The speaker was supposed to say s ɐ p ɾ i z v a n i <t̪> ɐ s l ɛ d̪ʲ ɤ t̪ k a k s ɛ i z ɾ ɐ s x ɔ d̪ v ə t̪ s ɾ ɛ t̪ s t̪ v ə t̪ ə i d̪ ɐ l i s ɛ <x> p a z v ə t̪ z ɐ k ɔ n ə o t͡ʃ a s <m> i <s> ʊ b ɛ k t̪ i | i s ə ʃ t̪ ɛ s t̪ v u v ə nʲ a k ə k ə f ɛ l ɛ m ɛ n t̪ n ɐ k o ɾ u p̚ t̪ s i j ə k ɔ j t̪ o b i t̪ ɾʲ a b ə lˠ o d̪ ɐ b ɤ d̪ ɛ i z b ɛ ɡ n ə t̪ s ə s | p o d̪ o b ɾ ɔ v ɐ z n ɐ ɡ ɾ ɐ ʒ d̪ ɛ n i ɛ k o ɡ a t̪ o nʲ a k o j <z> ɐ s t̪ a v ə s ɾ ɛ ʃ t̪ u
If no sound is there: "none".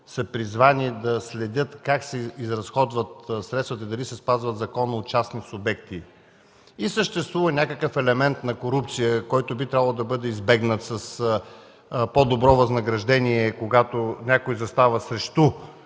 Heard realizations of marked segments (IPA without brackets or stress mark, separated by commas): d̪, s, n, s, z